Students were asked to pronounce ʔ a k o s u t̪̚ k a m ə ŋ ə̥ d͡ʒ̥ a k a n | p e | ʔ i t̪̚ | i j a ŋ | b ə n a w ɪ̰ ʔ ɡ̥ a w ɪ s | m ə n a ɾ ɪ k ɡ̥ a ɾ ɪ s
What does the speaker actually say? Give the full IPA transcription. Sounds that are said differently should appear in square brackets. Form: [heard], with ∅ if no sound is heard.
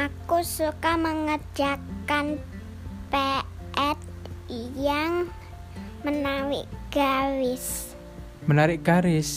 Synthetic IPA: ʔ a k [u] s u [∅] k a m ə ŋ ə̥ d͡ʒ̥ a k a n | p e | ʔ [ɛ] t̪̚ | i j a ŋ | [m] ə n a w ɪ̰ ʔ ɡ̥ a w ɪ s | m ə n a ɾ ɪ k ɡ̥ a ɾ ɪ s